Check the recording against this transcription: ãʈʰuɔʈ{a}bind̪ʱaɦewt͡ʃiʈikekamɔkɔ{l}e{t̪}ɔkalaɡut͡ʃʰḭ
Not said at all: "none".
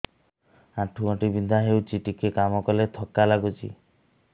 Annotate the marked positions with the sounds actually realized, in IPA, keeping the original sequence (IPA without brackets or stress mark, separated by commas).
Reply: i, l, t̪ʰ